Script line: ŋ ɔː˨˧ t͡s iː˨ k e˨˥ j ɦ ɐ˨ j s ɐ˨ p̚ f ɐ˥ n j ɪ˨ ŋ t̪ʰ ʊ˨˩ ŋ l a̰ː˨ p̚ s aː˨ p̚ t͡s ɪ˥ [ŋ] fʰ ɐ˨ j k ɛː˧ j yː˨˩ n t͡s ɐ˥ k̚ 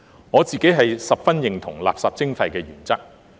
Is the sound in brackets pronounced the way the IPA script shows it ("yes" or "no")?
yes